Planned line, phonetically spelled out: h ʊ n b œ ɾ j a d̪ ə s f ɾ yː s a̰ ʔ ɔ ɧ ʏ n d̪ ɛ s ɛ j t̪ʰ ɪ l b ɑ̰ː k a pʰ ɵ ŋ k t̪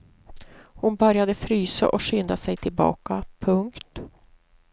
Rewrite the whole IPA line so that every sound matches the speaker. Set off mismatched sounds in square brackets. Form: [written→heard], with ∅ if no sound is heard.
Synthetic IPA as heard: h ʊ n b œ ɾ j a d̪ ə [s→∅] f ɾ yː s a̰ ʔ ɔ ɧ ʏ n d̪ [ɛ→a] s ɛ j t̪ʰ ɪ l b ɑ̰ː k a pʰ ɵ ŋ k t̪